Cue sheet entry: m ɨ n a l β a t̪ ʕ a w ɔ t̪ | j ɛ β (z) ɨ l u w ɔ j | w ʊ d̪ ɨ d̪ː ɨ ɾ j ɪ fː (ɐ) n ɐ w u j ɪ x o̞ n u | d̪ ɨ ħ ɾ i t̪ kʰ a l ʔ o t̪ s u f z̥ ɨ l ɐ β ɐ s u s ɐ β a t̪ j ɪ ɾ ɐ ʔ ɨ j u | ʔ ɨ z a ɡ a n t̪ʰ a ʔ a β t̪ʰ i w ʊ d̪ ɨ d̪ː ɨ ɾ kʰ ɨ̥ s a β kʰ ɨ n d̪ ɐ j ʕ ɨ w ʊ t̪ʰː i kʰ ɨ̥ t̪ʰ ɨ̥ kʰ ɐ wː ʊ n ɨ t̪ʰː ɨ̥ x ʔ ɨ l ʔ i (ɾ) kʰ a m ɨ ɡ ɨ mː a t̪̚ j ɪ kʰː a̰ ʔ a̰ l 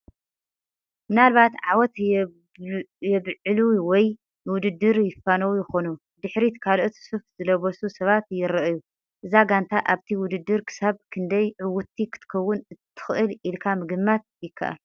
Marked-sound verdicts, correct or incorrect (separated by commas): incorrect, incorrect, incorrect